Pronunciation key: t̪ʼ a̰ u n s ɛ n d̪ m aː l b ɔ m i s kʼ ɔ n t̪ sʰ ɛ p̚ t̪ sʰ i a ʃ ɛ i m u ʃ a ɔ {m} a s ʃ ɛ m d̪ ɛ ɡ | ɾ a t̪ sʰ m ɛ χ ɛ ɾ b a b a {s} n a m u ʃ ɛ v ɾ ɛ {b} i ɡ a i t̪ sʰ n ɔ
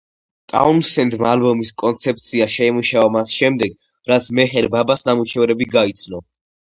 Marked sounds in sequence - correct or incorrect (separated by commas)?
correct, correct, correct